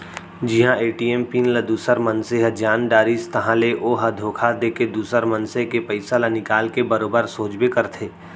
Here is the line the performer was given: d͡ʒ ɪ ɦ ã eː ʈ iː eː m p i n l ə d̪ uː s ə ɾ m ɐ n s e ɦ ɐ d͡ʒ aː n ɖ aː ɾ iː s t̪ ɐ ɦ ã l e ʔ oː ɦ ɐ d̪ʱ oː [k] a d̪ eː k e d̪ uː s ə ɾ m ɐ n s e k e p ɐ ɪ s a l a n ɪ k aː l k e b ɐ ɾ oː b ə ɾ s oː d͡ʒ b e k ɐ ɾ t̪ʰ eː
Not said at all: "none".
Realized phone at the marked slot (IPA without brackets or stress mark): kʰ